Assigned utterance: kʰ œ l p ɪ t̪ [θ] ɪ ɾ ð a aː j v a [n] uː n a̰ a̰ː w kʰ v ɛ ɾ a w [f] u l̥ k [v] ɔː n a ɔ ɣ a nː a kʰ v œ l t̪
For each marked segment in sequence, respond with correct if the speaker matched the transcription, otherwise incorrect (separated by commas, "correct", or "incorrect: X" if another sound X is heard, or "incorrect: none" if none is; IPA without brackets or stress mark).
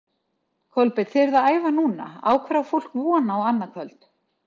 correct, correct, correct, correct